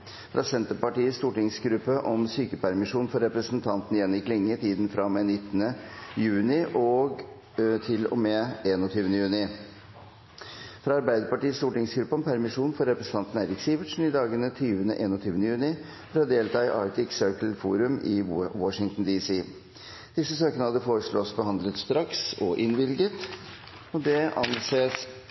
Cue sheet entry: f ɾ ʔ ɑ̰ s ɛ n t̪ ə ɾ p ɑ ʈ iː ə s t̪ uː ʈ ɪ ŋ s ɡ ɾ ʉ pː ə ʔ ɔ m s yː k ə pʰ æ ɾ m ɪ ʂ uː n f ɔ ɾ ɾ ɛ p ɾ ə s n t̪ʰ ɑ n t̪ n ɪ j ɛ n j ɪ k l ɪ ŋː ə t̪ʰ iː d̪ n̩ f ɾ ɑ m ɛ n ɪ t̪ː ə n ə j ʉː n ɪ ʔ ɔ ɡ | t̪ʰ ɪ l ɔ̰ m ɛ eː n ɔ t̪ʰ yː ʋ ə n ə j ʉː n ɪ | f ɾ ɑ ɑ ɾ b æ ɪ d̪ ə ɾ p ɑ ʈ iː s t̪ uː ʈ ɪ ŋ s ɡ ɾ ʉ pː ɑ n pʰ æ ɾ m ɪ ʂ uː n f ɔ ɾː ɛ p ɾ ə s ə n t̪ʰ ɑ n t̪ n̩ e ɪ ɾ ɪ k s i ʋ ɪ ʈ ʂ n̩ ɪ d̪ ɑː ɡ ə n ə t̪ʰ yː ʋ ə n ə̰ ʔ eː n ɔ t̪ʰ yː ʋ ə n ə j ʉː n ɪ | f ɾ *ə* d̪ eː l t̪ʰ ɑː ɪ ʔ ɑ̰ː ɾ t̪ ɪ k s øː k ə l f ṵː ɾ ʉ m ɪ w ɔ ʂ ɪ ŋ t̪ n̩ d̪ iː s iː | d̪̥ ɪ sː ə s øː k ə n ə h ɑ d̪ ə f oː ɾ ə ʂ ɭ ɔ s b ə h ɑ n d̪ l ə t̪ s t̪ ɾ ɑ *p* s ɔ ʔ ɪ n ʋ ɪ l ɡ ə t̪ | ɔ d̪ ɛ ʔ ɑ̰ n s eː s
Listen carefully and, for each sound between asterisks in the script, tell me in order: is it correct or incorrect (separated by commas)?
incorrect, incorrect